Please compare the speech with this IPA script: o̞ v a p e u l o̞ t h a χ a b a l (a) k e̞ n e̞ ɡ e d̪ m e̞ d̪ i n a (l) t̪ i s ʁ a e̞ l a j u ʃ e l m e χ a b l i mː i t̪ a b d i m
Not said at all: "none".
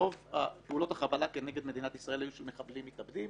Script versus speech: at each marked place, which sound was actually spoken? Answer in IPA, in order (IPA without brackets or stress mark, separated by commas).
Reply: a, none